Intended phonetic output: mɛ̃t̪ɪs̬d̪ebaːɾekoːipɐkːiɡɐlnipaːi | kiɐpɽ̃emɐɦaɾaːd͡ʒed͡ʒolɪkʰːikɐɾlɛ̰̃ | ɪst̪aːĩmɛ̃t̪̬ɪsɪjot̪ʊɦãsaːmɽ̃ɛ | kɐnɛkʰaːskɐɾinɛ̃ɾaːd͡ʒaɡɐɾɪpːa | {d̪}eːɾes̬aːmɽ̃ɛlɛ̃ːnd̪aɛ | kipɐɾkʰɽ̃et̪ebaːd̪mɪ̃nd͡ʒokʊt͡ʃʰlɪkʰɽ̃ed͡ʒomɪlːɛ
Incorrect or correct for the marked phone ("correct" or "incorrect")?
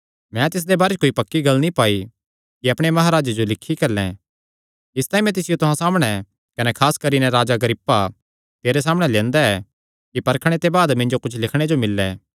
incorrect